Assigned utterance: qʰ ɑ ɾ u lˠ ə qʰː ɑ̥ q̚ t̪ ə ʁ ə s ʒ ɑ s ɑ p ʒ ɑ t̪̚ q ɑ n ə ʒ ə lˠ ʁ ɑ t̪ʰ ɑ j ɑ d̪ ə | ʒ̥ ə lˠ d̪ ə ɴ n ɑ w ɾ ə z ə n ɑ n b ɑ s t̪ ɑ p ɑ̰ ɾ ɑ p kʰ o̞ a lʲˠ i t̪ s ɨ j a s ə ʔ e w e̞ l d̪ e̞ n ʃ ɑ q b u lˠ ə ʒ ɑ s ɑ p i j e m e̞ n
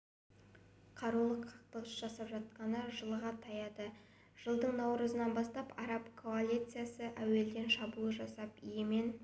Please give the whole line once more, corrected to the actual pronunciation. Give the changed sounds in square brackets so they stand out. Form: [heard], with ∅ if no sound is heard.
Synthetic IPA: qʰ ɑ ɾ u lˠ ə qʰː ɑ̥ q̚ t̪ ə ʁ ə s ʒ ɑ s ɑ p ʒ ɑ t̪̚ q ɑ n ə ʒ ə lˠ ʁ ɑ t̪ʰ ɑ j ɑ d̪ ə | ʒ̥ ə lˠ d̪ ə ɴ n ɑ w ɾ ə z ə n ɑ n b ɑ s t̪ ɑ p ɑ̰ ɾ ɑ p kʰ o̞ a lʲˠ i t̪ s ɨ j a s ə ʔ [æ] w e̞ l d̪ e̞ n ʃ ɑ [∅] b u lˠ ə ʒ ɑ s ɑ p i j e m e̞ n